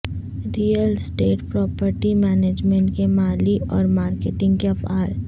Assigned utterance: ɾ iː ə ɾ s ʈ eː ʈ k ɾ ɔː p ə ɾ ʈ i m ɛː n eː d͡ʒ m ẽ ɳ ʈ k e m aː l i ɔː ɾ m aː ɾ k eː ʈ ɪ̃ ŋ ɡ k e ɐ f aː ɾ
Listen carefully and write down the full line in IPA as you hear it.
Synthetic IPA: ɾ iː ə l s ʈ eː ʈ p ɾ ɔː p ə ɾ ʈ i m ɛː n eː d͡ʒ m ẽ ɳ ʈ k e m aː l i ɔː ɾ m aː ɾ k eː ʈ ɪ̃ ŋ ɡ k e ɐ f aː ɾ